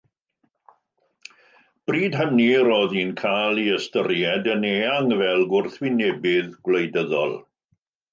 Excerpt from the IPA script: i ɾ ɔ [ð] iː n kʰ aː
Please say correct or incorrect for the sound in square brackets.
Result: correct